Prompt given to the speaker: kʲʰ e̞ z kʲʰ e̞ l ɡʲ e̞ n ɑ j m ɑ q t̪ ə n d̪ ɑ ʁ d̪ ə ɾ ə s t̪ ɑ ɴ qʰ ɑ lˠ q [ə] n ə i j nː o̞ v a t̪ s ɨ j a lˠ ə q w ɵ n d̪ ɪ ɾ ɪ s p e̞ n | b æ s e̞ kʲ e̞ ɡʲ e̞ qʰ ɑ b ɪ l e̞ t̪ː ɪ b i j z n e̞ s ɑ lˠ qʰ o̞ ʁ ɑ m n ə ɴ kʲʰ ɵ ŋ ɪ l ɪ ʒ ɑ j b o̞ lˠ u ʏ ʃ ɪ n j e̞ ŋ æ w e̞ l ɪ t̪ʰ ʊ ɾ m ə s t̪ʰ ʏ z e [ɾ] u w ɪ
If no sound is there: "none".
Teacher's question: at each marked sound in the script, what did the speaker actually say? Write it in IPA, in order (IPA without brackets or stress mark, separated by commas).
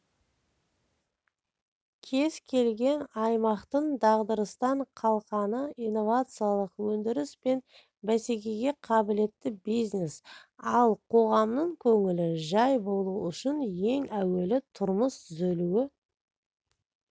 ɑ, l